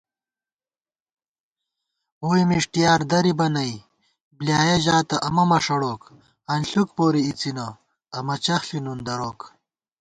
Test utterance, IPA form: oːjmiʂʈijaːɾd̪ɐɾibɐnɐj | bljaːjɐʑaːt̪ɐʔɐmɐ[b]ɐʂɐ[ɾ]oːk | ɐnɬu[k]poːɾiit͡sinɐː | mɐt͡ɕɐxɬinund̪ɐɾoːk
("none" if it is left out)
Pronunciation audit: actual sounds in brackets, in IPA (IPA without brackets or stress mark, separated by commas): m, ɽ, k